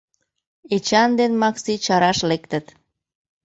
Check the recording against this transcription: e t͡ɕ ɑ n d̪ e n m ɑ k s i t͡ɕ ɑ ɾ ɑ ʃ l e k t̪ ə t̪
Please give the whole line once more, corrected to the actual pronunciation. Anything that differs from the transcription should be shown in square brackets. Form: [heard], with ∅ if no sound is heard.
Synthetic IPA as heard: e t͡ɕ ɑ n d̪ e n m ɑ k s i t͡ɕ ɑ ɾ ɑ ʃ l e k t̪ ə t̪